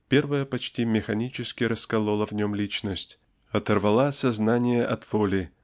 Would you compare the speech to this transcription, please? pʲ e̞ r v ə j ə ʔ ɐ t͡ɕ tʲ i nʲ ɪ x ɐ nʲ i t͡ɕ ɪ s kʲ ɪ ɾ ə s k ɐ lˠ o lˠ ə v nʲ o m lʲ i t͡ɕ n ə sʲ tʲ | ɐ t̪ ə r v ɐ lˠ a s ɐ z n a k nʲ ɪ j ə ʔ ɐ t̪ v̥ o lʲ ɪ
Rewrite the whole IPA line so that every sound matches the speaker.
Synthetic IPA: pʲ e̞ r v ə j ə p ɐ t͡ɕ tʲ i mʲ ɪ x ɐ nʲ i t͡ɕ ɪ s kʲ ɪ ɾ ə s k ɐ lˠ o lˠ ə v nʲ o m lʲ i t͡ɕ n ə sʲ tʲ | ɐ t̪ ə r v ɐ lˠ a s ɐ z n a nʲ ɪ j ə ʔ ɐ t̪ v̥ o lʲ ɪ